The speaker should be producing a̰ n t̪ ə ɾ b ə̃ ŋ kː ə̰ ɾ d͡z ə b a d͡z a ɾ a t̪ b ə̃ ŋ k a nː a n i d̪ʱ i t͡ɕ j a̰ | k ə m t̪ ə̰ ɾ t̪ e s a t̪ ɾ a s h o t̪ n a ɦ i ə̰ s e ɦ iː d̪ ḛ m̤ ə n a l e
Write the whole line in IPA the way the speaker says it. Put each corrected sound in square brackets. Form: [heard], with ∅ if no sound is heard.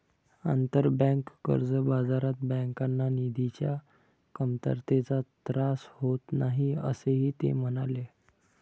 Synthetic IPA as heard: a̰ n t̪ ə ɾ b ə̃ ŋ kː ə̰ ɾ d͡z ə b a d͡z a ɾ a t̪ b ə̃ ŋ k a nː a n i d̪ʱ i t͡ɕ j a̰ | k ə m t̪ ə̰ ɾ t̪ e [t͡s] a t̪ ɾ a s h o t̪ n a ɦ i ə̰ s e ɦ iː [t̪] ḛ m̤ ə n a l e